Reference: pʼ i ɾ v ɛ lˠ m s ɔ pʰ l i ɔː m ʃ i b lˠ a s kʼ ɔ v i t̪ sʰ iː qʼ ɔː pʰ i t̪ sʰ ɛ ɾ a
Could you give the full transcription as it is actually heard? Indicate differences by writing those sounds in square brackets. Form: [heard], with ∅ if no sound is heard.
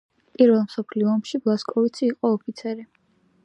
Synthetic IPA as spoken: pʼ i ɾ v ɛ lˠ m s ɔ pʰ l i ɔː m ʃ i b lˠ a s kʼ ɔ v i t̪ sʰ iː qʼ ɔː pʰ i t̪ sʰ ɛ ɾ [i]